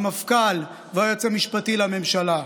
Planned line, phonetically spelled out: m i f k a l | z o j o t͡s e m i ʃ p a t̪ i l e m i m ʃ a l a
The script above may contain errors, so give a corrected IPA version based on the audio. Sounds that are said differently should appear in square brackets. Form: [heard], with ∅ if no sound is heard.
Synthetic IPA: m [a] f k a l | [v] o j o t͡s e m i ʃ p a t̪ i l [a] m [e] m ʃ a l a

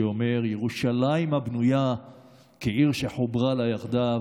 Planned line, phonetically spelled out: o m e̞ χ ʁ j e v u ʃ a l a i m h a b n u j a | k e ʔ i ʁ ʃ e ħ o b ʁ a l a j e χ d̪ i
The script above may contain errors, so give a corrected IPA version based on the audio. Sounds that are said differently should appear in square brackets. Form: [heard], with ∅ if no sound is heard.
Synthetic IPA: o m e̞ [∅] ʁ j e [ʁ] u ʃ a l a i m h a b n u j a | k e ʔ i ʁ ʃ e ħ o b ʁ a l a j [a] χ d̪ [a]

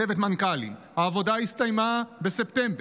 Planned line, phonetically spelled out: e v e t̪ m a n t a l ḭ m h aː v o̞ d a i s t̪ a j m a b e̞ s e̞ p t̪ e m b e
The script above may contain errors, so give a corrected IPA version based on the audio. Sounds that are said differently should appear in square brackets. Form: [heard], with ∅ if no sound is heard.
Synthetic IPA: e v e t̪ m a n [k] a l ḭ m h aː v o̞ d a i s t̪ a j m a b e̞ s e̞ p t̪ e m b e

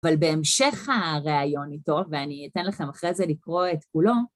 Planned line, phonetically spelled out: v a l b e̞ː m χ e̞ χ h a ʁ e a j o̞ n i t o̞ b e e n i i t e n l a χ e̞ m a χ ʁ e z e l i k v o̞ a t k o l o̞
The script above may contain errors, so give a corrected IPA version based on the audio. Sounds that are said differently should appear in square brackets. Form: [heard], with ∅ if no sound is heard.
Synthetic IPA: v a l b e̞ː m [ʃ] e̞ χ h a ʁ e a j o̞ n i t o̞ [v] e [a] n i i t e n l a χ e̞ m a χ ʁ e z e l i k [ʁ] o̞ [e] t k [u] l o̞

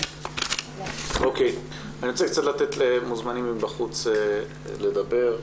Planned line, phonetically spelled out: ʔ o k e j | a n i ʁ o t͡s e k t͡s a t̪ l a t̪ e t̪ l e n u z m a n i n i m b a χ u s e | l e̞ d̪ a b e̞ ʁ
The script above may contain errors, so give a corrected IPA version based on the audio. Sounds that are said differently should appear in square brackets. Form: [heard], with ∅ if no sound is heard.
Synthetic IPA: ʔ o k e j | a n i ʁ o t͡s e k t͡s a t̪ l a t̪ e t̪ l e [m] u z m a n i [m] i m b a χ u [t͡s] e | l e̞ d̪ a b e̞ ʁ

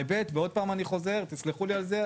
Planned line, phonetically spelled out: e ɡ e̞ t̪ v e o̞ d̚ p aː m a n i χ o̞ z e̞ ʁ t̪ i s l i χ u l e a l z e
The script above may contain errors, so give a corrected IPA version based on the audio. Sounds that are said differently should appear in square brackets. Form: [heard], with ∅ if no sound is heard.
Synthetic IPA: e [b] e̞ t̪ v e o̞ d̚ p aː m a n i χ o̞ z e̞ ʁ t̪ i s l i χ u l [i] a l z e

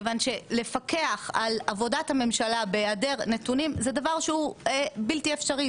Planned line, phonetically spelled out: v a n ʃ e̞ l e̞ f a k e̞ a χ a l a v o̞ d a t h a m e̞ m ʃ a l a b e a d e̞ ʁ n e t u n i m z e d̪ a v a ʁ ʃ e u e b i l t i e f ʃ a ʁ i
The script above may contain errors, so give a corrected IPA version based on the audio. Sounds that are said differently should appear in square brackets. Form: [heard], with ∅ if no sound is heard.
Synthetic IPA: v a n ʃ e̞ l e̞ f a k e̞ a χ a l a v o̞ d a t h a m e̞ m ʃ a l a b e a d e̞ ʁ n e t u n i m z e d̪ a v a ʁ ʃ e u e b i l t i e f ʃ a ʁ i

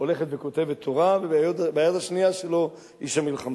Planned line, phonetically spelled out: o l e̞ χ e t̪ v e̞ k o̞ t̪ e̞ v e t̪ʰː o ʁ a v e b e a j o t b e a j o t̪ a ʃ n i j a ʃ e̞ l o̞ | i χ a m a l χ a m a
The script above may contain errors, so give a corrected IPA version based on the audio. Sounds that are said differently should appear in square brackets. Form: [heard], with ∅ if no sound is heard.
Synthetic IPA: o l e̞ χ e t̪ v e̞ k o̞ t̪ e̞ v e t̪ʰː o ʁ a v e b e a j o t b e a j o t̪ a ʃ n i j a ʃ e̞ l o̞ | i [ʃ] a m [i] l χ a m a

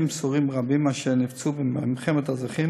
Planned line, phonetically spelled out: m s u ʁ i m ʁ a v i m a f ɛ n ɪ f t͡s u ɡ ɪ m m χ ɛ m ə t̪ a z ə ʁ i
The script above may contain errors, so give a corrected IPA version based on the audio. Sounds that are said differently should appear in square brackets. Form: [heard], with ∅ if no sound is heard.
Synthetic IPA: m s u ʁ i m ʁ a [b] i m a [ʃ] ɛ n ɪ f t͡s u [b] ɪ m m χ ɛ m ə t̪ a z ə [χ] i

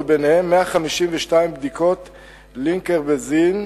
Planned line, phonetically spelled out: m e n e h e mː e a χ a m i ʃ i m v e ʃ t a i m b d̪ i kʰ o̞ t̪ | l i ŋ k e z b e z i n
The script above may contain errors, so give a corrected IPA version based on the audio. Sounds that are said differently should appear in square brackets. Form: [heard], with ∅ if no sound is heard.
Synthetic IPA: [b] e n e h e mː e a χ a m i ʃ i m v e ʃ t a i m b d̪ i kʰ o̞ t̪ | l i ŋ k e [ʁ] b e z i n

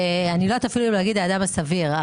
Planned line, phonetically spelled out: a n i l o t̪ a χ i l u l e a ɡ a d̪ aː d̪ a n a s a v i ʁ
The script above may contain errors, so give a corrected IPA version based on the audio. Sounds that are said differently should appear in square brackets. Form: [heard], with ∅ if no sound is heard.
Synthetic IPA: a n i l o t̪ a [f] i l u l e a ɡ [i] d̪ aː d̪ a [m] a s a v i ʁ

